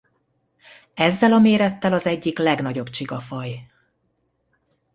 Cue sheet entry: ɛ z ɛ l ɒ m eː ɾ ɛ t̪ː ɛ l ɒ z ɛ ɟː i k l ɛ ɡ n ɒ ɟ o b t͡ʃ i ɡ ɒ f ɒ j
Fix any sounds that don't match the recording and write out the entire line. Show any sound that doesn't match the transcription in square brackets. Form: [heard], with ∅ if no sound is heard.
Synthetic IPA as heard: ɛ [zː] ɛ l ɒ m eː ɾ ɛ t̪ː ɛ l ɒ z ɛ ɟː i k l ɛ ɡ n ɒ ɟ o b t͡ʃ i ɡ ɒ f ɒ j

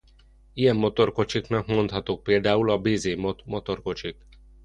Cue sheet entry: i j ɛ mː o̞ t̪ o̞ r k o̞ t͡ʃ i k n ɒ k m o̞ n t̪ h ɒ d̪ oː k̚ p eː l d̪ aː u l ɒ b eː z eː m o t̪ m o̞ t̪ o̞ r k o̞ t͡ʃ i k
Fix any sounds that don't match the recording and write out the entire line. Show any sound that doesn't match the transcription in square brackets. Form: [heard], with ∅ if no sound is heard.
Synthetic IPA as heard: i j ɛ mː o̞ t̪ o̞ r k o̞ t͡ʃ i k n ɒ k m o̞ n t̪ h ɒ [t̪] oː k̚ p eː l d̪ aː u l ɒ b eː z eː m o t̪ m o̞ t̪ o̞ r k o̞ t͡ʃ i k

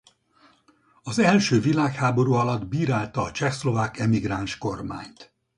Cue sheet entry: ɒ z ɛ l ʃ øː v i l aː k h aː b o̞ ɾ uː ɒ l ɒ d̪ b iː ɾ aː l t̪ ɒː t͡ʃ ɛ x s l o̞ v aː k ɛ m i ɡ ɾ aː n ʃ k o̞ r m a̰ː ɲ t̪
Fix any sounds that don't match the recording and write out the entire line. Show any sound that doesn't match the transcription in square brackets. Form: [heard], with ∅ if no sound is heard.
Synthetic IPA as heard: ɒ z ɛ l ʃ øː v i l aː k h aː b o̞ ɾ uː ɒ l ɒ d̪ b iː ɾ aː l t̪ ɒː t͡ʃ ɛ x s l o̞ v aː k ɛ m i ɡ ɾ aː n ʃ k o̞ r m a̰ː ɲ t̪

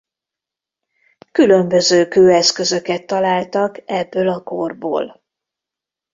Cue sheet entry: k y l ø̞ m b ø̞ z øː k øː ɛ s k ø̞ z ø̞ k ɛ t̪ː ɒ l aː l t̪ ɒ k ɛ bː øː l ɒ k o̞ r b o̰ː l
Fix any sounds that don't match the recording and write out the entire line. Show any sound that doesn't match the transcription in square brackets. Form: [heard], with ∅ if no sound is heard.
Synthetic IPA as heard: k y l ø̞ m b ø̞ z øː k øː ɛ s k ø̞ z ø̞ k ɛ t̪ː ɒ l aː l t̪ ɒ k ɛ bː øː l ɒ k o̞ r b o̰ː l

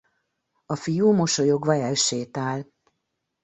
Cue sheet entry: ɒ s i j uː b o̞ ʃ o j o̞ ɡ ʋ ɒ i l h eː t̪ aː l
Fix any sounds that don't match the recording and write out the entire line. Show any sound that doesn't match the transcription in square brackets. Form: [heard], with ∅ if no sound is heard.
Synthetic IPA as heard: ɒ [f] i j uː [m] o̞ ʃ o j o̞ ɡ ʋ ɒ [ɛ] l [ʃ] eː t̪ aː l

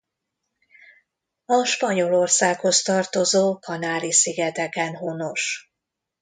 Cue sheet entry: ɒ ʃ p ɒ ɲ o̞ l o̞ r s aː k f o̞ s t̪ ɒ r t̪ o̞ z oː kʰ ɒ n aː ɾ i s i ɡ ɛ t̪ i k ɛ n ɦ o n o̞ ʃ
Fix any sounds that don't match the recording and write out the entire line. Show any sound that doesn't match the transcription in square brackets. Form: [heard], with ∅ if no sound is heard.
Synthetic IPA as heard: ɒ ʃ p ɒ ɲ o̞ l o̞ r s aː k [h] o̞ s t̪ ɒ r t̪ o̞ z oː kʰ ɒ n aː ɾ i s i ɡ ɛ t̪ [ɛ] k ɛ n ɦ o n o̞ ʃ

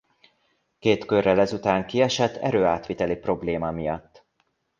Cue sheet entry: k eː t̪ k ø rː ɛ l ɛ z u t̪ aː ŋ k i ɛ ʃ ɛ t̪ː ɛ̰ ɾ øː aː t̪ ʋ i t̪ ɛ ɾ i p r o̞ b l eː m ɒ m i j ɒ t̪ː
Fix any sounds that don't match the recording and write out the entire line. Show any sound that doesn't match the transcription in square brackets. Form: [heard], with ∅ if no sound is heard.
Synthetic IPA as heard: k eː t̪ k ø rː ɛ l ɛ z u t̪ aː ŋ k i ɛ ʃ ɛ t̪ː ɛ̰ ɾ øː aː t̪ ʋ i t̪ ɛ [l] i p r o̞ b l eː m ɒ m i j ɒ t̪ː

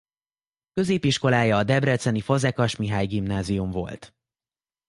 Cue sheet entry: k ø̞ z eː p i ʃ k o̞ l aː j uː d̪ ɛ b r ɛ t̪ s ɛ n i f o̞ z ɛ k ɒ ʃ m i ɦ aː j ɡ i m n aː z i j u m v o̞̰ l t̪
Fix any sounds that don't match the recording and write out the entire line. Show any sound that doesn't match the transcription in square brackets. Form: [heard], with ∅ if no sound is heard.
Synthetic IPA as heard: k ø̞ z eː p i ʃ k o̞ l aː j [ɒː] d̪ ɛ b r ɛ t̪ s ɛ n i f o̞ z ɛ k ɒ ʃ m i ɦ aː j ɡ i m n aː z i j u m v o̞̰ l t̪

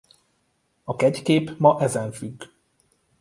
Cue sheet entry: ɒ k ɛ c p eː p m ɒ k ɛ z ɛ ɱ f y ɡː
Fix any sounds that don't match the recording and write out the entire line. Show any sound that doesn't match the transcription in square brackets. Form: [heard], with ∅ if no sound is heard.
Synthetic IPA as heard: ɒ k ɛ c [k] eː p m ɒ [ʔ] ɛ z ɛ ɱ f y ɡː

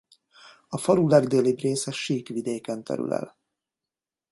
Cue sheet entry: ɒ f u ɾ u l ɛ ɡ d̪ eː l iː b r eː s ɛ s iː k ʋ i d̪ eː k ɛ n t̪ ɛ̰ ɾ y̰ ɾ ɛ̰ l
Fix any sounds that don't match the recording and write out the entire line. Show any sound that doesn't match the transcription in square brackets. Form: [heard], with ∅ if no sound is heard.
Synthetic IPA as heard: ɒ f [ɒ] ɾ u l ɛ ɡ d̪ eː l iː b r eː s ɛ [ʃ] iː k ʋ i d̪ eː k ɛ n t̪ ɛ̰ ɾ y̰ [l] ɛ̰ l

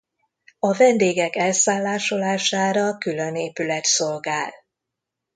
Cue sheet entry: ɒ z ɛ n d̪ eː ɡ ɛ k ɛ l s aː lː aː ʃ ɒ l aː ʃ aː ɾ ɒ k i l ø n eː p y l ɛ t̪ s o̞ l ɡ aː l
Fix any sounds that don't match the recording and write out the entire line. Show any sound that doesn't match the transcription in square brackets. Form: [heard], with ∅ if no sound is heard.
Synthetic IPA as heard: ɒ [v] ɛ n d̪ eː ɡ ɛ k ɛ l s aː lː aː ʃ [o] l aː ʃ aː ɾ ɒ k [y] l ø n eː p y l ɛ t̪ s o̞ l ɡ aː l

